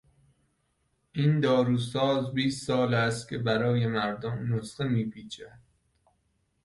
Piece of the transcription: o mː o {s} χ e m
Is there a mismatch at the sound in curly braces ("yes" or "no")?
no